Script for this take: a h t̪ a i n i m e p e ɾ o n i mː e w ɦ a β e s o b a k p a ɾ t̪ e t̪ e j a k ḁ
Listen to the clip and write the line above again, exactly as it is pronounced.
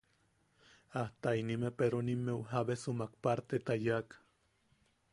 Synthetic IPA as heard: a h t̪ a i n i m e p e ɾ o n i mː e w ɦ a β e s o m a k p a ɾ t̪ e t̪ a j a k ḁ